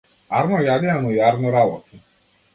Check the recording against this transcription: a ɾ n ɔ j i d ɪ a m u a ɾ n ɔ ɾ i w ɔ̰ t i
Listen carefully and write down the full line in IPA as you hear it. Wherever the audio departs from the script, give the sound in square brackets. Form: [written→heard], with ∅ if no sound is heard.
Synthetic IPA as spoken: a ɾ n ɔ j [i→a] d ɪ a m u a ɾ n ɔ ɾ [i→a] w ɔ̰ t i